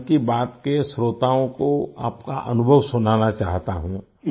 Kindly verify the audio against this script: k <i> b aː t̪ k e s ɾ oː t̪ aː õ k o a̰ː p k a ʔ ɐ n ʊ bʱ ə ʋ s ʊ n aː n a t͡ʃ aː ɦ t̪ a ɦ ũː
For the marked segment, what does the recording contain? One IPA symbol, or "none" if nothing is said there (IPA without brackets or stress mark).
i